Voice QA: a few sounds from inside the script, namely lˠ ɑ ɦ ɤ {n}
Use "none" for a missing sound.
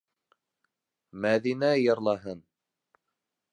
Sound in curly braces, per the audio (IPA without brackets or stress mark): n